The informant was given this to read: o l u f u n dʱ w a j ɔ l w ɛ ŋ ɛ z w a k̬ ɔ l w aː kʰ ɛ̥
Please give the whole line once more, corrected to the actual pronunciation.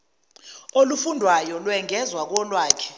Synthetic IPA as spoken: o l u f u n dʱ w a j ɔ l w ɛ ŋ ɛ z w a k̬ ɔ l w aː kʰ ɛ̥